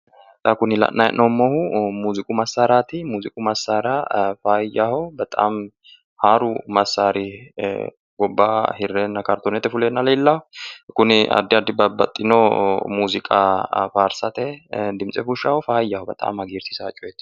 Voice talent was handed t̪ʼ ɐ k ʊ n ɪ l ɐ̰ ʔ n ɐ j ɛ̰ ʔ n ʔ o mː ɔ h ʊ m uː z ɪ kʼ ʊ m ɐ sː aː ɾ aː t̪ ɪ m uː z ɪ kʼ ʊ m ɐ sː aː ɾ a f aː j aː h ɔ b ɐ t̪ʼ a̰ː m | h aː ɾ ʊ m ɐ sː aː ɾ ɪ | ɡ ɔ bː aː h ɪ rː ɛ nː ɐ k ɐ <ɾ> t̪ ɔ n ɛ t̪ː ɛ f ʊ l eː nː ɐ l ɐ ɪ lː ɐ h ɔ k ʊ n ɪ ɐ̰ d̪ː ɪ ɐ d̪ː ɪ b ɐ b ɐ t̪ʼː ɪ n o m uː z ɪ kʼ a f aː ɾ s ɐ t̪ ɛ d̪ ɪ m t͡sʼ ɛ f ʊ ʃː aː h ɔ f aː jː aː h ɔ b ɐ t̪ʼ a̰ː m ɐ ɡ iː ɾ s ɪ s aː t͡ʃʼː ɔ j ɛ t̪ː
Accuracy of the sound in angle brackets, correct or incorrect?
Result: correct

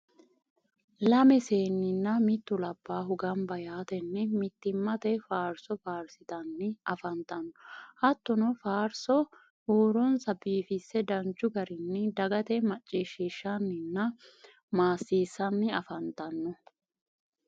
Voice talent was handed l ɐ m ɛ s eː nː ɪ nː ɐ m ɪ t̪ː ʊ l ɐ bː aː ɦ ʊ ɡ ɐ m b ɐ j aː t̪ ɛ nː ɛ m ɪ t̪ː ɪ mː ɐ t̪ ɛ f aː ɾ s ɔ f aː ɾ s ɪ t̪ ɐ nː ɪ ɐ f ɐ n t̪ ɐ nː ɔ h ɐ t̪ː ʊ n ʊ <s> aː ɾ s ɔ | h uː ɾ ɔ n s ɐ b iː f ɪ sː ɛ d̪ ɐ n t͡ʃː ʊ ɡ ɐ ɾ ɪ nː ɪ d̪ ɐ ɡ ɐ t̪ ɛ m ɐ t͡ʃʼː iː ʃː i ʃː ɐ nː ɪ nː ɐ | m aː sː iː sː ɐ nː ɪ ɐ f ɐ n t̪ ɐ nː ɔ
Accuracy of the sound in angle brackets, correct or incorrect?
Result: incorrect: f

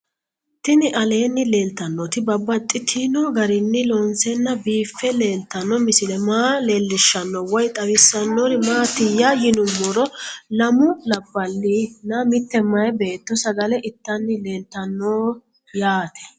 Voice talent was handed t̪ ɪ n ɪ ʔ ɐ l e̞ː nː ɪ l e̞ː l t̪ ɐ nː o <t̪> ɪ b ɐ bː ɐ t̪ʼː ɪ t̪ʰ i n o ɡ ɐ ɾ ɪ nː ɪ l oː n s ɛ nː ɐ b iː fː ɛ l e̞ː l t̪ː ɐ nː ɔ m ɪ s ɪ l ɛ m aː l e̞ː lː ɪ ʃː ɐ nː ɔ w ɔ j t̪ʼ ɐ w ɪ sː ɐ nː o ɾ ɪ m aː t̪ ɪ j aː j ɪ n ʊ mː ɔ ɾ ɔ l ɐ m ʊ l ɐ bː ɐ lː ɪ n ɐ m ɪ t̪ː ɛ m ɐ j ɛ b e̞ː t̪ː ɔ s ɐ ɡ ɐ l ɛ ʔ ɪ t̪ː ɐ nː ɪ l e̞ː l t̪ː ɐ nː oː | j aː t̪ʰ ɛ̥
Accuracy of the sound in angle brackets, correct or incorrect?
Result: correct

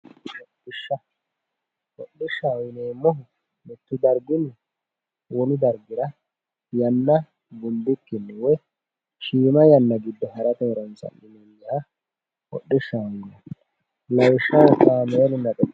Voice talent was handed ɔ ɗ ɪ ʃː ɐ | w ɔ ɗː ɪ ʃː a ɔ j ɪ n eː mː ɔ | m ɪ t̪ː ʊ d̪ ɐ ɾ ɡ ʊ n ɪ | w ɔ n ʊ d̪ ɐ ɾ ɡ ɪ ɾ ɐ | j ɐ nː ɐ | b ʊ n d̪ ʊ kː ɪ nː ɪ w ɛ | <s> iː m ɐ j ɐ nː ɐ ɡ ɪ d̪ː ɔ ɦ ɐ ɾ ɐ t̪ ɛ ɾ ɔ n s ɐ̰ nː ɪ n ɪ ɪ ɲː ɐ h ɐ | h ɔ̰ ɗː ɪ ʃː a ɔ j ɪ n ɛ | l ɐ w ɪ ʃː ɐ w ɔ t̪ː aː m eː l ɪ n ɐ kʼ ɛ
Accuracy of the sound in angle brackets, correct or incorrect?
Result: incorrect: ʃ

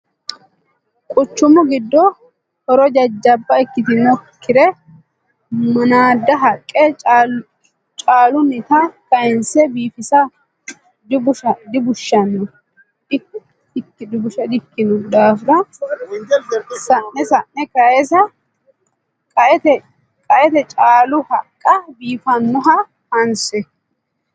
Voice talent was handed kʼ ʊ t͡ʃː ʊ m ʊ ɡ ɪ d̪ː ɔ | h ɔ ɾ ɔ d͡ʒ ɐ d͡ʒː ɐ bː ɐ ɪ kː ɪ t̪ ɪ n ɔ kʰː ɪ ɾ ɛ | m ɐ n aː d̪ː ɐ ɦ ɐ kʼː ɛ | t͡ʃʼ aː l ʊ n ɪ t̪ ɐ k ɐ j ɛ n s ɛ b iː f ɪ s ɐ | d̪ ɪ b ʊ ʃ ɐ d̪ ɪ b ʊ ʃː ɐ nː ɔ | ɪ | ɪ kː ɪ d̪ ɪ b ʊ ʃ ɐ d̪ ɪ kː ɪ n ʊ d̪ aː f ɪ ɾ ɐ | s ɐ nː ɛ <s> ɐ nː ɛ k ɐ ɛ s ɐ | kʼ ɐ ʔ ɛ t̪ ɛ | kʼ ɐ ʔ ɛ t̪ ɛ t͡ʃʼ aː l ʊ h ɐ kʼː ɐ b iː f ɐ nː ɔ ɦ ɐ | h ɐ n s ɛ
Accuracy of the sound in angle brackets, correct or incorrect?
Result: correct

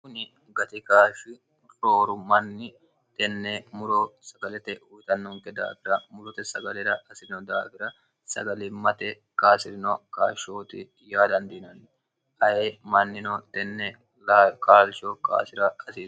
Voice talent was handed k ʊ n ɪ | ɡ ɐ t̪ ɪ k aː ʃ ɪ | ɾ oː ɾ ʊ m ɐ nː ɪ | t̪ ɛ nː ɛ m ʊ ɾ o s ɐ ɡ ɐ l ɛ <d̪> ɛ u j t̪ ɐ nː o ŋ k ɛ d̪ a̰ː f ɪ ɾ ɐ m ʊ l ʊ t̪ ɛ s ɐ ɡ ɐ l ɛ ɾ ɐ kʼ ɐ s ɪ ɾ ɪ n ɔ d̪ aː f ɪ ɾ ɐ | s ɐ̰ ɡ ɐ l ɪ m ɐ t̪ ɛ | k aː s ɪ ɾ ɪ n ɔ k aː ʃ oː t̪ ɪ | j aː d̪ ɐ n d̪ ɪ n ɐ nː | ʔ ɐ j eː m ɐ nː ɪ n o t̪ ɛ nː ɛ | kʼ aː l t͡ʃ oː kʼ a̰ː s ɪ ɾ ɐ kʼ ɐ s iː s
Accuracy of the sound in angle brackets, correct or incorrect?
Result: incorrect: t̪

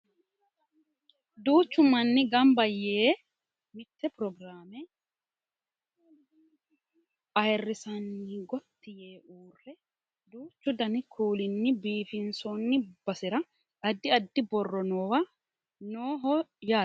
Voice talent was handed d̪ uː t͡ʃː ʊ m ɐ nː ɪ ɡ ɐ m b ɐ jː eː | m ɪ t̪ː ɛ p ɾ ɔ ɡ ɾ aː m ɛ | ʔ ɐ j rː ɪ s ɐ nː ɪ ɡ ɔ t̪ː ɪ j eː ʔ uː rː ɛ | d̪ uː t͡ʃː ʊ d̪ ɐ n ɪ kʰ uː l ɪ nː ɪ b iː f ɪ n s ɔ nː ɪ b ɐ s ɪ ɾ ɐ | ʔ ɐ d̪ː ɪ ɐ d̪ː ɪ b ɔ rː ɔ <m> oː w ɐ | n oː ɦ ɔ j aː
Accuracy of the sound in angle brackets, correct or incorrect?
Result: incorrect: n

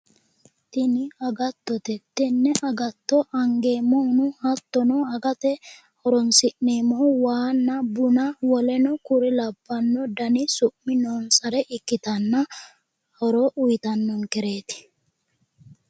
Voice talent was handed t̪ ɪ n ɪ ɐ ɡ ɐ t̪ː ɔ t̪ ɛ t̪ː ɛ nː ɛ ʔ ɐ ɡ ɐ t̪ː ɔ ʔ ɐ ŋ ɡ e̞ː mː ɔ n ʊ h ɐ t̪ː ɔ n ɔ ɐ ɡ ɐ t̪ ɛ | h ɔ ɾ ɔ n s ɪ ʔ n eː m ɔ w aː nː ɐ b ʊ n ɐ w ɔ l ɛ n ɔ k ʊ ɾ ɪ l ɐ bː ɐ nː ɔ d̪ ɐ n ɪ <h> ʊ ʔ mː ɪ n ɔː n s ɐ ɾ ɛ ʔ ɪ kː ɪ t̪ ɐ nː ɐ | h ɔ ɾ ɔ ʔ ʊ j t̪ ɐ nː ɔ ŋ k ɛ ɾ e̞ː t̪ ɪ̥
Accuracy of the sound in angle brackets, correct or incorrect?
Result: incorrect: s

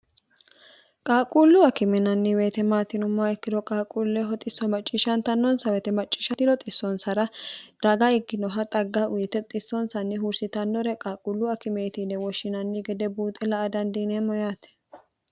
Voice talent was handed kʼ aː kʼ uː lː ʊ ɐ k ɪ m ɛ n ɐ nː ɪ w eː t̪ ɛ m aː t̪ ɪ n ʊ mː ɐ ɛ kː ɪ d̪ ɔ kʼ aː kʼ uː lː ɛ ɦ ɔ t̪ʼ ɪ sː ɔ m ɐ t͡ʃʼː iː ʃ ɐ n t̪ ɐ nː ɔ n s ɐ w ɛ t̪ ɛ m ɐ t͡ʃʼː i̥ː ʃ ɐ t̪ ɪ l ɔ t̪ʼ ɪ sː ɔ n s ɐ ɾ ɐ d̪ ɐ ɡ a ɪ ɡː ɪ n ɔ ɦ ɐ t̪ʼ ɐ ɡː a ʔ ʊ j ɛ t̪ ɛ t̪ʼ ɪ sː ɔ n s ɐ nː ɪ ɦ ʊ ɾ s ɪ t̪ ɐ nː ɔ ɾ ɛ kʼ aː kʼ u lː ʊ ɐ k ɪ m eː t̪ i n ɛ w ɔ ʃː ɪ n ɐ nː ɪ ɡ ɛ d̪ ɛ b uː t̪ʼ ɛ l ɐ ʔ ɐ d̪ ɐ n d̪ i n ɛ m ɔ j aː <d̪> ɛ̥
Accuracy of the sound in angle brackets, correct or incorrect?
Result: incorrect: t̪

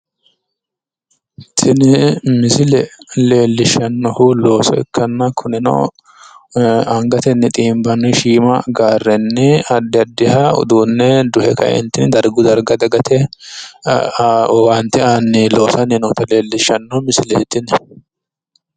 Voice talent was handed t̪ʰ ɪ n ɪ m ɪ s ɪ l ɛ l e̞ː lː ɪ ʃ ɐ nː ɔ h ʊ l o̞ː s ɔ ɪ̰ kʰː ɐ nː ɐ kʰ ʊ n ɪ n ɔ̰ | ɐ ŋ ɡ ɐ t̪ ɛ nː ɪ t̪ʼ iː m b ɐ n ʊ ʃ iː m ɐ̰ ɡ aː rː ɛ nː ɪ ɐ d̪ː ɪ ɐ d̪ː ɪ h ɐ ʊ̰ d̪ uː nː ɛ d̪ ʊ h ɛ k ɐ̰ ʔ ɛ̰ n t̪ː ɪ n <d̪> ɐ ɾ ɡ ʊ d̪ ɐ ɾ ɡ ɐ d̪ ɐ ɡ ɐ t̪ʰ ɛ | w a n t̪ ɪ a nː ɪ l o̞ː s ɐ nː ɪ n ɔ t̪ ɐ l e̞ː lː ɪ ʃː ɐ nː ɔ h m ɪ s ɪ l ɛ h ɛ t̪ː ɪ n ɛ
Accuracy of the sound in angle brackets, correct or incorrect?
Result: correct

